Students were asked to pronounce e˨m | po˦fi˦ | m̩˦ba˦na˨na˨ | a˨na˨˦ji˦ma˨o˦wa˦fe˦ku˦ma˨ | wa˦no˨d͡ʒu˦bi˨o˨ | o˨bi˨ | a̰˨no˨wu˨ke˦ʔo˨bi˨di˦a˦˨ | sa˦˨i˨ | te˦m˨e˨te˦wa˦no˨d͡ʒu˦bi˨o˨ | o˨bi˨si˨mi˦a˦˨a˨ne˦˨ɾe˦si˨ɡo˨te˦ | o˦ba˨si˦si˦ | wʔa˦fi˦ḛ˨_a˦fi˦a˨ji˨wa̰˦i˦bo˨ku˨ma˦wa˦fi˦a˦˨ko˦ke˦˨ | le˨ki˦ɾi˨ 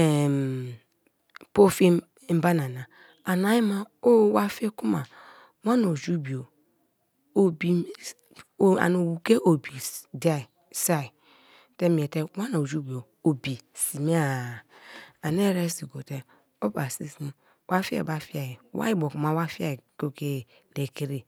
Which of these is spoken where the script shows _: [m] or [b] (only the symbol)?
b